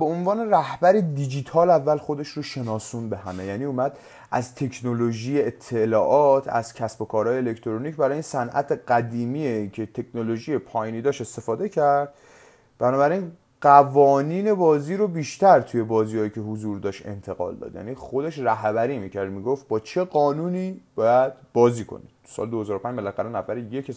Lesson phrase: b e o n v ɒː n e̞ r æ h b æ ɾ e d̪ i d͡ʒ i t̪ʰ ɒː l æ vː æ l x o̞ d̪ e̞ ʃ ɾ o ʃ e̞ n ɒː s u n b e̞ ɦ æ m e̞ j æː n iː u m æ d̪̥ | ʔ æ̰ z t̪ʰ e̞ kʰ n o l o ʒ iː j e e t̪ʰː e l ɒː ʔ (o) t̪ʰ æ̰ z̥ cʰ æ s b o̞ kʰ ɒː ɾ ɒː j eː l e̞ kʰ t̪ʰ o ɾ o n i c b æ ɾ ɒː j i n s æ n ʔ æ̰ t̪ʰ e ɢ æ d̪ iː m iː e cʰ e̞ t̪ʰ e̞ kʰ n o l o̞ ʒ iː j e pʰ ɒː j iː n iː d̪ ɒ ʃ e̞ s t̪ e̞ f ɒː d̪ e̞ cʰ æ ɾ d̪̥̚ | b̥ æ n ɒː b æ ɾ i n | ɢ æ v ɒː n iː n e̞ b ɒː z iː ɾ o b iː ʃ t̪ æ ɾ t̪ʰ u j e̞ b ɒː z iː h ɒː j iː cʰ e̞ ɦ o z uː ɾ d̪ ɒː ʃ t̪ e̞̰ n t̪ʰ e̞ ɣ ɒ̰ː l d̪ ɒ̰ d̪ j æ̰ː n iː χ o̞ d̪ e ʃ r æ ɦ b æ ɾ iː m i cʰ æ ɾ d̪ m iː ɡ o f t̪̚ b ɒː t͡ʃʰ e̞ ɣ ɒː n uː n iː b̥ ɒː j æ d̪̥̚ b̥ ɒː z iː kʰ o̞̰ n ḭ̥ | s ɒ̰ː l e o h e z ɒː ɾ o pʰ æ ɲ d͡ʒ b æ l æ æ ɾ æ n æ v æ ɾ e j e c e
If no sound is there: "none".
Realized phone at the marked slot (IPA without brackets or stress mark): ɒ